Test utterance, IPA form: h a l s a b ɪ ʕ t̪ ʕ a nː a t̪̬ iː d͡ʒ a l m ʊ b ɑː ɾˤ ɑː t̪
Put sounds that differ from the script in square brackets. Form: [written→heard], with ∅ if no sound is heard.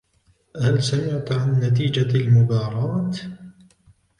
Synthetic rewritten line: h a l s a [b→m] ɪ ʕ t̪ ʕ a nː a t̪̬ iː d͡ʒ a l m ʊ b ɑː ɾˤ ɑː t̪